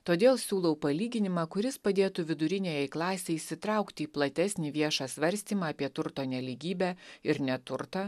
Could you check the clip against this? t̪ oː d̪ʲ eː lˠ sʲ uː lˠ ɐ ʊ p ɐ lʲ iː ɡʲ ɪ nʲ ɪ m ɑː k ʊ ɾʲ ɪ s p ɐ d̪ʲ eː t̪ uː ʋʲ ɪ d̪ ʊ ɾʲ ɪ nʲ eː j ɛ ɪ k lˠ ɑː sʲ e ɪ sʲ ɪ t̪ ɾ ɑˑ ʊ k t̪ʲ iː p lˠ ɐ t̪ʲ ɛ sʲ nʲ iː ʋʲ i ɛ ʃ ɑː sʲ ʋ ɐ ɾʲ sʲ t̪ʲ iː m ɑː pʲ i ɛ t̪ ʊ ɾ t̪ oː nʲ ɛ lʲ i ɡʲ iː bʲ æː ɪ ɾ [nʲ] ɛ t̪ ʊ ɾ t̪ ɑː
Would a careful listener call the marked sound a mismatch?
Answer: no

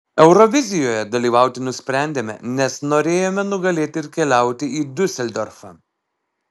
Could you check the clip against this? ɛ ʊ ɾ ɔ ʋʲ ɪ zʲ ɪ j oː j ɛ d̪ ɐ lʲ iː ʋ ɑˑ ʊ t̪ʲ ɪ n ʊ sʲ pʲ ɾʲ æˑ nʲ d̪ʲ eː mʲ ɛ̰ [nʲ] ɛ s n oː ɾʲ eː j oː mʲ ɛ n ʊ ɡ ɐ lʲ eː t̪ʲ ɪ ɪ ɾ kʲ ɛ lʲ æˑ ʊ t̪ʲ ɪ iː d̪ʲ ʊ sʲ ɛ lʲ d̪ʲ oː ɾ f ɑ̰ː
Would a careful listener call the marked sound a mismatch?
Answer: no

